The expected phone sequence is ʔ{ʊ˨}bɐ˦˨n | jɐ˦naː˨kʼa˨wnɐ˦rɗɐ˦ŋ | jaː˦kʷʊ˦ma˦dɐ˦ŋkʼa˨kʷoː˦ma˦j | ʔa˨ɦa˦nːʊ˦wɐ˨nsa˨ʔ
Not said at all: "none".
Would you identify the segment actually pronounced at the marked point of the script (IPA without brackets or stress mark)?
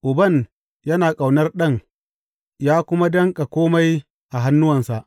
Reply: ʊ˨